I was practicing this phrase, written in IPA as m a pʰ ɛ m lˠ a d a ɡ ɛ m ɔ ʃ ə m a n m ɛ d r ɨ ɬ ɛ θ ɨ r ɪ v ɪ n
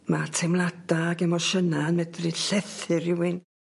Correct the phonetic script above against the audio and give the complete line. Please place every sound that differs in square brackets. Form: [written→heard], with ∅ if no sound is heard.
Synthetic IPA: m a [pʰ→tʰ] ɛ m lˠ a d a ɡ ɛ m ɔ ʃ ə [m→n] a n m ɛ d r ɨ ɬ ɛ θ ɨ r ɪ [v→w] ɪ n